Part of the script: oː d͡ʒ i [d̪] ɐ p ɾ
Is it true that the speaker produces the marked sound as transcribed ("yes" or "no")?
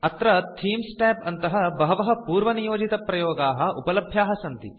no